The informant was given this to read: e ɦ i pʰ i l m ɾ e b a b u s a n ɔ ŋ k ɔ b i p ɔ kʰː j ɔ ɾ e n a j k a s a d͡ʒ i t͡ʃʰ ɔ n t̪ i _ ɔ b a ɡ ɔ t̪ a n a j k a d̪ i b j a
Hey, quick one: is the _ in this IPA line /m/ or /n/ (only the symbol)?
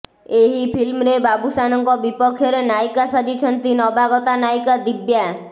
n